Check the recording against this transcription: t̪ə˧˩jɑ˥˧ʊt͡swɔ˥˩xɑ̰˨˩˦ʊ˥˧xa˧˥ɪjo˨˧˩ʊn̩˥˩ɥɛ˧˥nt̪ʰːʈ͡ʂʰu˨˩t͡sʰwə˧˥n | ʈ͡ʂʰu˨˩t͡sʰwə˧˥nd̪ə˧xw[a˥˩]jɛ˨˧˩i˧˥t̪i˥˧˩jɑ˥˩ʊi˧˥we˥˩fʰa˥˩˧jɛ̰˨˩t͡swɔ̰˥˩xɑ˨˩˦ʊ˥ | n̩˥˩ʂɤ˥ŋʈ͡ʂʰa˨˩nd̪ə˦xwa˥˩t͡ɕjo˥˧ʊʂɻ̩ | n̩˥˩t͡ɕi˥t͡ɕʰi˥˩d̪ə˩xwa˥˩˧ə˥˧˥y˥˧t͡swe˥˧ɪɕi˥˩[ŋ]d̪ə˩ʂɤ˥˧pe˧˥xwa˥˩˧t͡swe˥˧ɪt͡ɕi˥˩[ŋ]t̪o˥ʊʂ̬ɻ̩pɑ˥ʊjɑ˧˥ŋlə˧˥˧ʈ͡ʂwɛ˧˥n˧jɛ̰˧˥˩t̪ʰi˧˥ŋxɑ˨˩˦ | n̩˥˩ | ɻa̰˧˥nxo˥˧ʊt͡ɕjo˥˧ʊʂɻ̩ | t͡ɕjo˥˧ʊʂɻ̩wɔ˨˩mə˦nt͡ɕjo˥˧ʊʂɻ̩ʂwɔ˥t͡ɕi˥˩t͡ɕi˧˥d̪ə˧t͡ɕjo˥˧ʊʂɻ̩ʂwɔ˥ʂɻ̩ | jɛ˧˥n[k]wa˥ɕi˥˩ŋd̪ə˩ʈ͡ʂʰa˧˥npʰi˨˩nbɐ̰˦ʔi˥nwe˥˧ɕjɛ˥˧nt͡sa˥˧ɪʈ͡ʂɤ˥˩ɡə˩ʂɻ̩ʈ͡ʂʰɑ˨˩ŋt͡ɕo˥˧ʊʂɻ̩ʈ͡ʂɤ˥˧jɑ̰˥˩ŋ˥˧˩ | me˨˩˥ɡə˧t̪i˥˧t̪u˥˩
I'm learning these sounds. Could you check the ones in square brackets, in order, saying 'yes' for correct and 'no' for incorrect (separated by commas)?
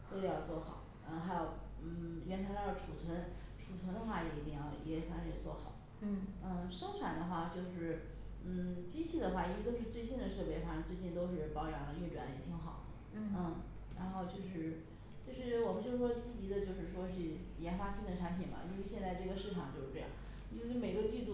yes, no, no, no